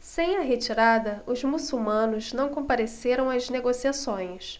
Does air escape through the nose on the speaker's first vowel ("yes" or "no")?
yes